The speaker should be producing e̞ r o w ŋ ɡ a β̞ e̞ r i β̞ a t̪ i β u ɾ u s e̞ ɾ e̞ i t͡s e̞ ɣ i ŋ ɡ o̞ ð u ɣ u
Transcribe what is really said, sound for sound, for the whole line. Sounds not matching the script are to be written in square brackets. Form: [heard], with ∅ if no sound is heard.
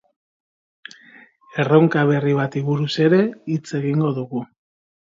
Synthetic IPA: e̞ r o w ŋ [k] a β̞ e̞ r i β̞ a t̪ i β u ɾ u s e̞ ɾ e̞ i t͡s e̞ ɣ i ŋ ɡ o̞ ð u ɣ u